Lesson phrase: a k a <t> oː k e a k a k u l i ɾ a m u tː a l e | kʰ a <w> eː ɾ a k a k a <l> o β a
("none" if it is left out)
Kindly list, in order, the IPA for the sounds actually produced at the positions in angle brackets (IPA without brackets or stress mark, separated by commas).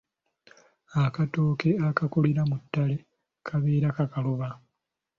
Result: t, β, l